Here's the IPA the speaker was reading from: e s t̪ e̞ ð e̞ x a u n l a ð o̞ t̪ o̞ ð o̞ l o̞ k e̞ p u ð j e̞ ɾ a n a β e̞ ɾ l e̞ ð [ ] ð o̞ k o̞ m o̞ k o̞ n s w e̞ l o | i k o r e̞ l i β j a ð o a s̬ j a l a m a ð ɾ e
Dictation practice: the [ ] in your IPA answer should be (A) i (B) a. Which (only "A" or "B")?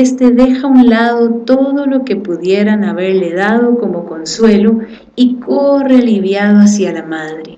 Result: B